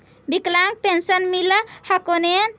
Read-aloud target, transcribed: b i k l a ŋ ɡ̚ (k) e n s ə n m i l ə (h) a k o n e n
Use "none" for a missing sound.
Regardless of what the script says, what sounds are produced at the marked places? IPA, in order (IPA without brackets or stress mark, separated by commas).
p, h